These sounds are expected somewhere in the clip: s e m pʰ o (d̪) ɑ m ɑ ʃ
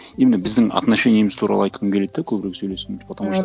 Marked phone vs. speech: incorrect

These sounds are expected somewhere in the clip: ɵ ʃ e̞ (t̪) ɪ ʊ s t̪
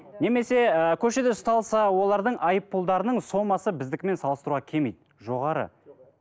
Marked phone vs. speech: incorrect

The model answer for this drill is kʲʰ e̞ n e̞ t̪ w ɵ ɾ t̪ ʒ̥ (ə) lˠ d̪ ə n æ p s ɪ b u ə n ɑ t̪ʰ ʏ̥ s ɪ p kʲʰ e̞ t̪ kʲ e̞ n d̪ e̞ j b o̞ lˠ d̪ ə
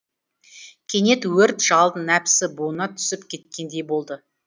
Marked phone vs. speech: incorrect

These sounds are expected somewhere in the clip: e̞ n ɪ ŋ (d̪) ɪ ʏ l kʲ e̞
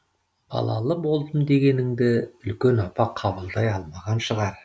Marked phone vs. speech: correct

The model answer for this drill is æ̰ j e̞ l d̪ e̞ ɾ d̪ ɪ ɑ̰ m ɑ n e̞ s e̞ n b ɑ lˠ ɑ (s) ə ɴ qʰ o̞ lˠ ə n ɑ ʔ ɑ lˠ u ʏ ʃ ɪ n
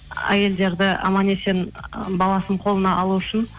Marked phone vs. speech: correct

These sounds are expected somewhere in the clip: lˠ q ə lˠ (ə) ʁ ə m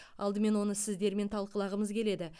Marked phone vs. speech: incorrect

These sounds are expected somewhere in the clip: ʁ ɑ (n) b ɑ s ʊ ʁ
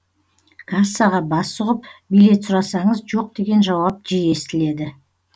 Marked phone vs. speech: incorrect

